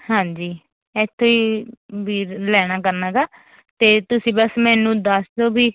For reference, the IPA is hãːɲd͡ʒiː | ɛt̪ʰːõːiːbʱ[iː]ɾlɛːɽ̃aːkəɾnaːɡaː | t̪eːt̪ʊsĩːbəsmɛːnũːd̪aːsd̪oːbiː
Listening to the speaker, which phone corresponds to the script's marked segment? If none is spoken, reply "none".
iː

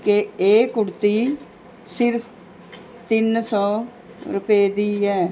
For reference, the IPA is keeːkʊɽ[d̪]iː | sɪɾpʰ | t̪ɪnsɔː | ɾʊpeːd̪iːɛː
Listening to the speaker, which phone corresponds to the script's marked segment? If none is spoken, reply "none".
t̪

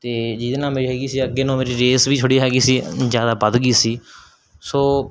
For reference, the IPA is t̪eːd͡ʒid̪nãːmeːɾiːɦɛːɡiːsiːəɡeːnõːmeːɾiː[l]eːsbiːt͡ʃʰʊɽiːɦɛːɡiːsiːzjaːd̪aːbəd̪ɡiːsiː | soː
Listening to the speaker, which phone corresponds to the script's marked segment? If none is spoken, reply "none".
ɾ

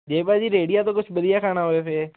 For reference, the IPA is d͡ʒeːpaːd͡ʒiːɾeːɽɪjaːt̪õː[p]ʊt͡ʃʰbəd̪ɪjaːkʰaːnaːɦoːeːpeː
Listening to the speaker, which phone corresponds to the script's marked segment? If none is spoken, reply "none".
k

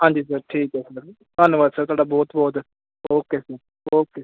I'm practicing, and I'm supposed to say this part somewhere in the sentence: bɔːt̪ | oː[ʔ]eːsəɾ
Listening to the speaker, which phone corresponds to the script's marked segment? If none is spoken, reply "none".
k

